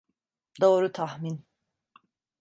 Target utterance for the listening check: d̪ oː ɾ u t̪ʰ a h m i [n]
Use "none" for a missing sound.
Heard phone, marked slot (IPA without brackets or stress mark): n